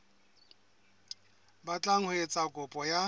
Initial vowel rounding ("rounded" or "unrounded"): unrounded